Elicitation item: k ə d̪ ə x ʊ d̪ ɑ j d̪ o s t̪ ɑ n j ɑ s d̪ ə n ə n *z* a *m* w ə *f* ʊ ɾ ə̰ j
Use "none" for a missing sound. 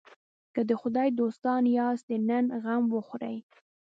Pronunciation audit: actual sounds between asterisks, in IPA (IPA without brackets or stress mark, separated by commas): ɣ, m, x